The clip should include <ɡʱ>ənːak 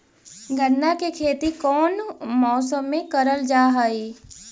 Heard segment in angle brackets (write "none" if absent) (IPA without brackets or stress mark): ɡʱ